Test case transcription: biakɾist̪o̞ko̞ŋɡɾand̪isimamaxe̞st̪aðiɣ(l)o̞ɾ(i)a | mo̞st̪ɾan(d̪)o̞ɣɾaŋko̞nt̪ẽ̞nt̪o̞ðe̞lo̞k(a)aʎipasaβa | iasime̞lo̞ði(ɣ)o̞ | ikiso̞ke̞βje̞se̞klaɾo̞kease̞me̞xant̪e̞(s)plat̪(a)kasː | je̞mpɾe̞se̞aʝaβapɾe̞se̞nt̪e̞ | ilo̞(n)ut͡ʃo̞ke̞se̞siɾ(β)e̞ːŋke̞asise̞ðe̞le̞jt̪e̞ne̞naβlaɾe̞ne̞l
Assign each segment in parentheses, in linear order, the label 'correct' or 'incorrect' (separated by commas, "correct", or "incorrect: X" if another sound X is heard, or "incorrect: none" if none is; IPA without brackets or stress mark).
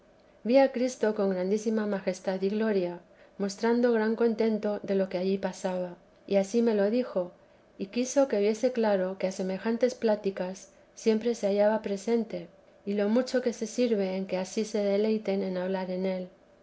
correct, incorrect: j, correct, incorrect: e, incorrect: x, correct, incorrect: i, incorrect: m, correct